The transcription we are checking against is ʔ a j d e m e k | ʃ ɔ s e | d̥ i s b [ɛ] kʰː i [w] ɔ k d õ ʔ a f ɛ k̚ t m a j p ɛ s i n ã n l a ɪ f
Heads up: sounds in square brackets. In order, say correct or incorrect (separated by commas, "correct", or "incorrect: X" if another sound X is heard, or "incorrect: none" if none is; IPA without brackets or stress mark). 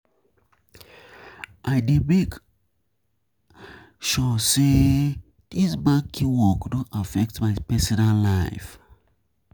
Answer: incorrect: a, correct